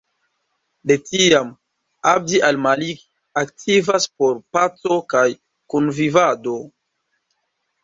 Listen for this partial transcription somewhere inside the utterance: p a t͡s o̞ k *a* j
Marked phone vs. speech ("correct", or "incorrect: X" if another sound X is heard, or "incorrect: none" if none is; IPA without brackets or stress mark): correct